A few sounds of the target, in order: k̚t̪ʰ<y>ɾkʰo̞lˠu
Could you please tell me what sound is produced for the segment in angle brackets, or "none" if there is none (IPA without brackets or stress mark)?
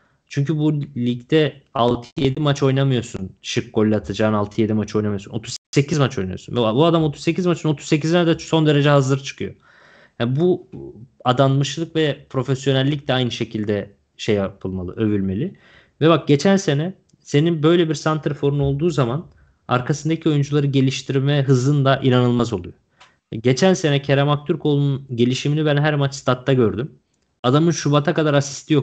y